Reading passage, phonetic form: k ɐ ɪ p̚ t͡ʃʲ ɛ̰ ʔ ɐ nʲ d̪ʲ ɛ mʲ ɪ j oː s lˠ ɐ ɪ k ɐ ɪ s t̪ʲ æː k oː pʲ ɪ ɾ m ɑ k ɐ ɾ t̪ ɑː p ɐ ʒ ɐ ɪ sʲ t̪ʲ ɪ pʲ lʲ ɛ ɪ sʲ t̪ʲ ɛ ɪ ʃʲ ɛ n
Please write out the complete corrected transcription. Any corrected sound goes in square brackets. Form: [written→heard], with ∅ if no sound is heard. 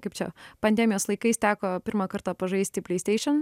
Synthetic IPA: k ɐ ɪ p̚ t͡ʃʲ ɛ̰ [ʔ→p] ɐ nʲ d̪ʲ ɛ mʲ ɪ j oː s lˠ ɐ ɪ k ɐ ɪ s t̪ʲ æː k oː pʲ ɪ ɾ m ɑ k ɐ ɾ t̪ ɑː p ɐ ʒ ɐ ɪ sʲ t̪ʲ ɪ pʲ lʲ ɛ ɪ sʲ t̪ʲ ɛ ɪ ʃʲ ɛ n